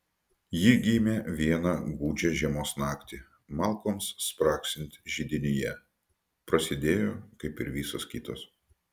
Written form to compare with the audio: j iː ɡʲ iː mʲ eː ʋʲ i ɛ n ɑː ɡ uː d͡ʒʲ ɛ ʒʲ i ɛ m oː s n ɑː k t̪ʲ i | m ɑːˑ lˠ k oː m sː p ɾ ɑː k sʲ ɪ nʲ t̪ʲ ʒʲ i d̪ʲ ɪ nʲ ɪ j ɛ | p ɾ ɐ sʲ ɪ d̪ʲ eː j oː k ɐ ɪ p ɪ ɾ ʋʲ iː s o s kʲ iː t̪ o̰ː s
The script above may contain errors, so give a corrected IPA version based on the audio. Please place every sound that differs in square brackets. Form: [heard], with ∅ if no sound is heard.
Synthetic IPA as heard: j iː ɡʲ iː mʲ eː ʋʲ i ɛ n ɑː ɡ uː d͡ʒʲ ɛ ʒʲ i ɛ m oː s n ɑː k t̪ʲ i | m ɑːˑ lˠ k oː m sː p ɾ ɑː k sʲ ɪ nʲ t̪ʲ ʒʲ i d̪ʲ ɪ nʲ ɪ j ɛ | p ɾ ɐ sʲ ɪ d̪ʲ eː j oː k ɐ ɪ p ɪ ɾ ʋʲ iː s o s kʲ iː t̪ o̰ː s